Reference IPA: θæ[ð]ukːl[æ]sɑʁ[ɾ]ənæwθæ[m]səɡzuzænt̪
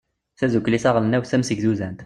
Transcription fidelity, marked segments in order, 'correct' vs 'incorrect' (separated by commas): incorrect, incorrect, incorrect, correct